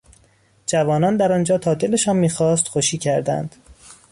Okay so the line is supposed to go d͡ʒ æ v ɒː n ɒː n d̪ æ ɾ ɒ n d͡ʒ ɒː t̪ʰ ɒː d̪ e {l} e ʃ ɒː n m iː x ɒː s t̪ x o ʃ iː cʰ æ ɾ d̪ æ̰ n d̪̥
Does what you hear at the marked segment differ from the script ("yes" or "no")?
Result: no